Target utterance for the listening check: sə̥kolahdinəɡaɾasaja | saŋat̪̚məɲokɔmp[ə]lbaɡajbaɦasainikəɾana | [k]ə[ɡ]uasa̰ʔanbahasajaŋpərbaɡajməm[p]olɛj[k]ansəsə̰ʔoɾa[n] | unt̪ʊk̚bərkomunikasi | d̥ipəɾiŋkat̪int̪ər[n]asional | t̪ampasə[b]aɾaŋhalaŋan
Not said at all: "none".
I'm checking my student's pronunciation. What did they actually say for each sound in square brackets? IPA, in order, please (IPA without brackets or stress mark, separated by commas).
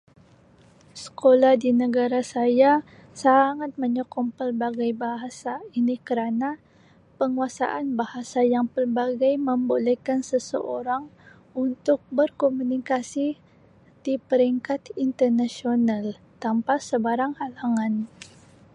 ə, p, ŋ, b, k, ŋ, n, b